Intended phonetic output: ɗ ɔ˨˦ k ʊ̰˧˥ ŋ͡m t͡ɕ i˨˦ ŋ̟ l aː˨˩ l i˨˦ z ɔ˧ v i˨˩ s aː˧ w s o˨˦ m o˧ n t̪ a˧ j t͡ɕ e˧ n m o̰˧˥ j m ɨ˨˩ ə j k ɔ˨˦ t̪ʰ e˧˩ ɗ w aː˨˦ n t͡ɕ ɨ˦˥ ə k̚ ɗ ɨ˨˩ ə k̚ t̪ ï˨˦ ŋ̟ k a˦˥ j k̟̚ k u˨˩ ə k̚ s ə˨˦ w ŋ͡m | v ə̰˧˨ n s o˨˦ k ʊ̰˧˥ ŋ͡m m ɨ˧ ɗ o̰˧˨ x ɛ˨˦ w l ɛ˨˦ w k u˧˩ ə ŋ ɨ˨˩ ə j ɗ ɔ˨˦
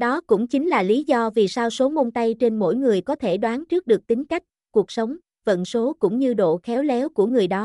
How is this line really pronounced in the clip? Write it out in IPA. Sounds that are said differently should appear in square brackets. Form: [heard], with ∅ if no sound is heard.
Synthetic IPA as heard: ɗ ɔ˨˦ k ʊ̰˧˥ ŋ͡m t͡ɕ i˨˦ ŋ̟ l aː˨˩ l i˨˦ z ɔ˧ v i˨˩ s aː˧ w s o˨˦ m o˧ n t̪ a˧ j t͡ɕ e˧ n m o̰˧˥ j [ŋ] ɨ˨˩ ə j k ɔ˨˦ t̪ʰ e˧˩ ɗ w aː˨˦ n t͡ɕ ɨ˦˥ ə k̚ ɗ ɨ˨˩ ə k̚ t̪ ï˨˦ ŋ̟ k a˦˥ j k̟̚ k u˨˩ ə k̚ s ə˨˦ w ŋ͡m | v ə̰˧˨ n s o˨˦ k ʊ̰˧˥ ŋ͡m [ɲ] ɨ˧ ɗ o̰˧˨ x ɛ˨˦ w l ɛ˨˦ w k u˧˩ ə ŋ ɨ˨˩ ə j ɗ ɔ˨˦